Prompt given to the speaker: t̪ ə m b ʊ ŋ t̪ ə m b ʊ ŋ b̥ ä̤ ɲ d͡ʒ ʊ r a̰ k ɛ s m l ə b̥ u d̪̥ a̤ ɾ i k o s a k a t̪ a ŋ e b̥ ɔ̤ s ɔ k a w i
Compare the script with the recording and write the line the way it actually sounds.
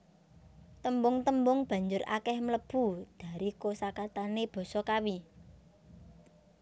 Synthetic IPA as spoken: t̪ ə m b ʊ ŋ t̪ ə m b ʊ ŋ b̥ ä̤ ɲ d͡ʒ ʊ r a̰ k ɛ h m l ə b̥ u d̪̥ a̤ ɾ i k o s a k a t̪ a n e b̥ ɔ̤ s ɔ k a w i